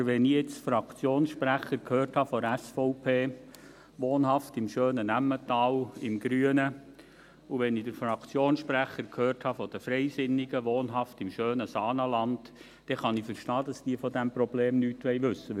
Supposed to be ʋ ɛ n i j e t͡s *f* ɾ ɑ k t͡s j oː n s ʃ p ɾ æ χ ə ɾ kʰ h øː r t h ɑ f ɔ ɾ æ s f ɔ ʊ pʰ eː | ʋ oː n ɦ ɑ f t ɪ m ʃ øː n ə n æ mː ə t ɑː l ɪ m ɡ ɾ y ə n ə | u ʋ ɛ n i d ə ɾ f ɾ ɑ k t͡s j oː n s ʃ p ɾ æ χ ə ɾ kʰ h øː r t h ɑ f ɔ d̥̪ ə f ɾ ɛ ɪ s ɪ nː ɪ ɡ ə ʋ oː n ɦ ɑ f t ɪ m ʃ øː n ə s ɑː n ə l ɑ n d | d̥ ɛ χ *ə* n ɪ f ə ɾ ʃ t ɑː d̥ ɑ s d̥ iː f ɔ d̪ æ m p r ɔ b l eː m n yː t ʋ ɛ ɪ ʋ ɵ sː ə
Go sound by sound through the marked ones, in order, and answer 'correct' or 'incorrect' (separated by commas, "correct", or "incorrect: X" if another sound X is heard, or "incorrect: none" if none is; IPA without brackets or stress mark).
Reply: correct, incorrect: ɑ